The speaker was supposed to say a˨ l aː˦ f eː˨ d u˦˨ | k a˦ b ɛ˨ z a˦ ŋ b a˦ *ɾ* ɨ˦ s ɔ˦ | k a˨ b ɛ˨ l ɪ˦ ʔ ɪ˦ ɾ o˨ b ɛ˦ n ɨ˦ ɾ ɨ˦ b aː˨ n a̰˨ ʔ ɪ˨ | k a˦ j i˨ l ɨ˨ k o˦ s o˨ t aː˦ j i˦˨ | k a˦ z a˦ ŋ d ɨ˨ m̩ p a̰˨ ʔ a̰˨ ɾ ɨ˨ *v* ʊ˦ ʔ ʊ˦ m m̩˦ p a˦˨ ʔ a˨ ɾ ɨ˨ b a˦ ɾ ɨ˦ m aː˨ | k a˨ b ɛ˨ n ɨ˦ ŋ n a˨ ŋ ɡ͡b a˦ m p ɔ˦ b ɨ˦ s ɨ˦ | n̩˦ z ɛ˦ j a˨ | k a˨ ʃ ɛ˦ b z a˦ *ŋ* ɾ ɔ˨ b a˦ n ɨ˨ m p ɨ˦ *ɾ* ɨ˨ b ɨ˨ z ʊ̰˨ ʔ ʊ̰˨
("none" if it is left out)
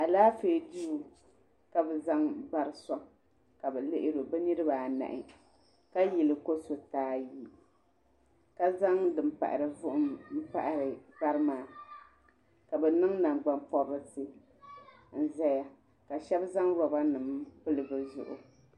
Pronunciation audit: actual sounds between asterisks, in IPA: ɾ, v, ŋ, l

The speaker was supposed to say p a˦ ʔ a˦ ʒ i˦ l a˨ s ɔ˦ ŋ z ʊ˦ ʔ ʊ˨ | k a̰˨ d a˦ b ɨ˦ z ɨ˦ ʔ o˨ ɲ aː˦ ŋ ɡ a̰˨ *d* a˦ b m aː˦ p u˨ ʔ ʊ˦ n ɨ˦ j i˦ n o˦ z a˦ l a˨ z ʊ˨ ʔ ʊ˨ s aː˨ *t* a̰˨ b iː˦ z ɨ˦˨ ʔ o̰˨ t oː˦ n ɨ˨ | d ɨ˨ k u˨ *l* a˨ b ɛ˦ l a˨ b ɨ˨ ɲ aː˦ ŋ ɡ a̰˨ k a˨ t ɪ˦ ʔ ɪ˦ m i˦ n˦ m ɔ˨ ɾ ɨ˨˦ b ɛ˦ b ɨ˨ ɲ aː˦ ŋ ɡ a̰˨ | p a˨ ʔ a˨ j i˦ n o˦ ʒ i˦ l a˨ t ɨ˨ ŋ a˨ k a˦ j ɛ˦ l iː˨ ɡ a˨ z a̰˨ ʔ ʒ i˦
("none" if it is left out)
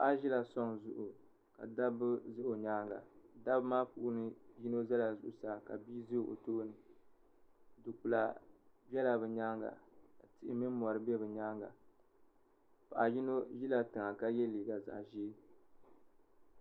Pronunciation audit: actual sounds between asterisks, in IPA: d, k, l

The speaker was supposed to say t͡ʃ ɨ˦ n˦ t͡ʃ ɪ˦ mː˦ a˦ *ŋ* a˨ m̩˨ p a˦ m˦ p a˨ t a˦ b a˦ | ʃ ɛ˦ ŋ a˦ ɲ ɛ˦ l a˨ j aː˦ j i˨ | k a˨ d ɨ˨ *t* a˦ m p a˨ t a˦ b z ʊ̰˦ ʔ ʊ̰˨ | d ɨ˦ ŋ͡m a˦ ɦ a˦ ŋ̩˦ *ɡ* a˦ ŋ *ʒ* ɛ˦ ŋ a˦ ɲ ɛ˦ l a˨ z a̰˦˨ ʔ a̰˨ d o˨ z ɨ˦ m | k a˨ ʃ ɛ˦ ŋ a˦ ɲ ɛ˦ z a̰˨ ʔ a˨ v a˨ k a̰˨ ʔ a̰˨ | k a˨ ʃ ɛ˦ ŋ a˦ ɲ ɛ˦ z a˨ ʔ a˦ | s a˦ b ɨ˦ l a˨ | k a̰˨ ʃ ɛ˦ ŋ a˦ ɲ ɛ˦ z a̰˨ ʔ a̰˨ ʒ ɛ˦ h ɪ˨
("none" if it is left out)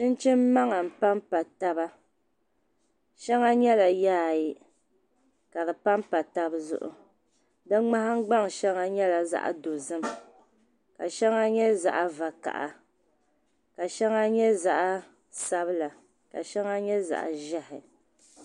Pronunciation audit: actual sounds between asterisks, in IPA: ŋ, p, ɡ͡b, ʃ

